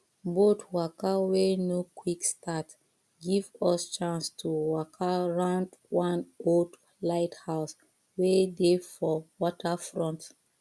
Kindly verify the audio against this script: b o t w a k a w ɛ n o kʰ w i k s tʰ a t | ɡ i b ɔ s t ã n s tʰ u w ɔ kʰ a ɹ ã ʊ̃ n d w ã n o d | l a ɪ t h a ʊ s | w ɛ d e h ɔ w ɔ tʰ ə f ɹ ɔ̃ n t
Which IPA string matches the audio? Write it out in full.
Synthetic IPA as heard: b o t w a k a w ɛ n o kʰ w i k s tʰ a t | ɡ i v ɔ s t͡ʃ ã n s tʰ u w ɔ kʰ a ɹ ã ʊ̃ n d w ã n o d | l a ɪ t h a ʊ s | w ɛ d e f ɔ w ɔ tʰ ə f ɹ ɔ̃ n t